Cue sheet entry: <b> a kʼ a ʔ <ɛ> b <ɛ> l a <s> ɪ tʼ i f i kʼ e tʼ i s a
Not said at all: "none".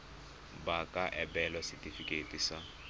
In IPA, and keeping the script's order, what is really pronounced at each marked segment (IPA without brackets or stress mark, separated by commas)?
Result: b, ɛ, ɛ, s